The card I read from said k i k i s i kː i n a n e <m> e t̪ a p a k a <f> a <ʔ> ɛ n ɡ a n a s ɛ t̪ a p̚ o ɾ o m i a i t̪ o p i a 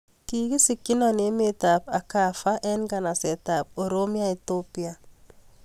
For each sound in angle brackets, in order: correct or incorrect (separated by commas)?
correct, correct, correct